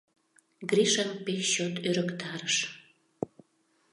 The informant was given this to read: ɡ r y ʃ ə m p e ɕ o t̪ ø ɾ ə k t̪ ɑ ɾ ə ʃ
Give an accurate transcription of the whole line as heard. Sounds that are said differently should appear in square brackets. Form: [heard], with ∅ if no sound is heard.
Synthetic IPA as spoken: ɡ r [i] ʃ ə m p e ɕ o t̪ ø ɾ ə k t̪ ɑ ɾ ə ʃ